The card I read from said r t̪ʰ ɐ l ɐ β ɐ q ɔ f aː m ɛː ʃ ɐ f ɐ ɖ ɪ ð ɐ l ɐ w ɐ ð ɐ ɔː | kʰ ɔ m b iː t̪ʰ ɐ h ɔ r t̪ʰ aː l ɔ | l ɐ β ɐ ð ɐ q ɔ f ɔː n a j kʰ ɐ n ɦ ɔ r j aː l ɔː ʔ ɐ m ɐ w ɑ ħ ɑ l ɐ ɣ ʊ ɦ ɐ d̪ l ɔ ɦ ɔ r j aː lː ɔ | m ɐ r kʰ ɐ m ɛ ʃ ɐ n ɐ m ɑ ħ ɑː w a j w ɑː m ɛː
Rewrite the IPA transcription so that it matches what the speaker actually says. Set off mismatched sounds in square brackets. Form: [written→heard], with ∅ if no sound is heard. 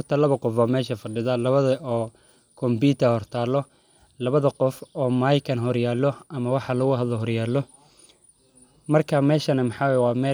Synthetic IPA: r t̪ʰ ɐ l ɐ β ɐ q ɔ f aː m ɛː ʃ ɐ f ɐ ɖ ɪ ð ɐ l ɐ [w→β] ɐ ð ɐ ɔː | kʰ ɔ m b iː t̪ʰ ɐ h ɔ r t̪ʰ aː l ɔ | l ɐ β ɐ ð ɐ q ɔ f ɔː [n→m] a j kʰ ɐ n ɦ ɔ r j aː l [ɔː→ɔ] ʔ ɐ m ɐ w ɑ ħ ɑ l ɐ ɣ ʊ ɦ ɐ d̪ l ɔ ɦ ɔ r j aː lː ɔ | m ɐ r kʰ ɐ m [ɛ→ɛː] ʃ ɐ n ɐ m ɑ ħ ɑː w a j w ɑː m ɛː